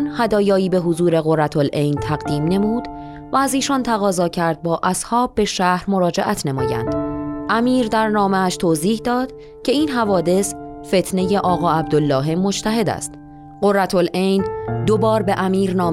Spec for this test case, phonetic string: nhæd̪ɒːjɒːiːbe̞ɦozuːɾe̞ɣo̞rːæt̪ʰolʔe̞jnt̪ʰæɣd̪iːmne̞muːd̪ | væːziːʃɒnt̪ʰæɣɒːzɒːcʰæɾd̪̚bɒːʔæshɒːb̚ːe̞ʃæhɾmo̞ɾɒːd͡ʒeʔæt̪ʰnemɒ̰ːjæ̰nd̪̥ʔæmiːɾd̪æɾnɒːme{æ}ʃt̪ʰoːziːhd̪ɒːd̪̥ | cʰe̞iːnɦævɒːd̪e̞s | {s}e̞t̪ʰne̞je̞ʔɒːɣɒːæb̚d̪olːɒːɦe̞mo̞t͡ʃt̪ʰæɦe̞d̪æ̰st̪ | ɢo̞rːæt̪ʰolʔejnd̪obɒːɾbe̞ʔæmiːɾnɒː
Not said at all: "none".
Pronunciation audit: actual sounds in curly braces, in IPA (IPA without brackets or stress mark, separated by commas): æ, f